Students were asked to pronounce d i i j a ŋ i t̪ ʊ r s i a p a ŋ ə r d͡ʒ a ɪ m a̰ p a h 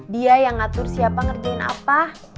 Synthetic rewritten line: d i a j a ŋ a t̪ ʊ r s i a p a ŋ ə r d͡ʒ a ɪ n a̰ p a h